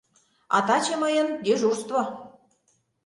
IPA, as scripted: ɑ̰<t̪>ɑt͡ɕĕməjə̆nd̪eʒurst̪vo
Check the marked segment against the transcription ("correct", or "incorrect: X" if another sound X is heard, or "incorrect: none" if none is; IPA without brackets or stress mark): correct